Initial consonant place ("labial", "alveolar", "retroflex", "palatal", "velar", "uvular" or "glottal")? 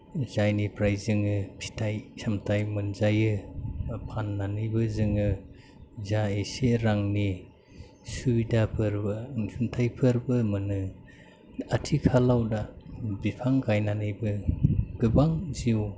alveolar